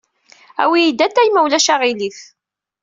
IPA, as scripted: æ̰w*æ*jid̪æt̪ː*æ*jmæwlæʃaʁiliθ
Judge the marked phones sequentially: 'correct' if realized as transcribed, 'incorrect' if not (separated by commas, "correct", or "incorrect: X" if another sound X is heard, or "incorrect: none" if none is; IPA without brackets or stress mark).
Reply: incorrect: i, correct